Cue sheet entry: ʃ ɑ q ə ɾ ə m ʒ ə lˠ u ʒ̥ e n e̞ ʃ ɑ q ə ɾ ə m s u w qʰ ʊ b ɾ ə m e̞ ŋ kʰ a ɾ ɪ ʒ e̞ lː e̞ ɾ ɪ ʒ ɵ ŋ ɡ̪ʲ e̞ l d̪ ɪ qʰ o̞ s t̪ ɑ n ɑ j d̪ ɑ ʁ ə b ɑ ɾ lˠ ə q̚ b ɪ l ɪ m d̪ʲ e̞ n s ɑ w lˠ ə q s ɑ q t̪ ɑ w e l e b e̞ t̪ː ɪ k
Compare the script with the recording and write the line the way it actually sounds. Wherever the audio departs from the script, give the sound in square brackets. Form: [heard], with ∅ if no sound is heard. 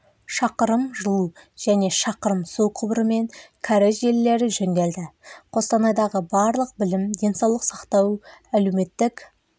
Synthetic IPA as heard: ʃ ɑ q ə ɾ ə m ʒ ə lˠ u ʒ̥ [æ] n e̞ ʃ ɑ q ə ɾ ə m s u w qʰ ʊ b ɾ ə m e̞ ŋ kʰ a ɾ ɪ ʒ e̞ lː e̞ ɾ ɪ ʒ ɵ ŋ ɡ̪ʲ e̞ l d̪ ɪ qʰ o̞ s t̪ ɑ n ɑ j d̪ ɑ ʁ ə b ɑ ɾ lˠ ə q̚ b ɪ l ɪ m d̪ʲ e̞ n s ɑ w lˠ ə q s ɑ q t̪ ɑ w [æ] l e [m] e̞ t̪ː ɪ k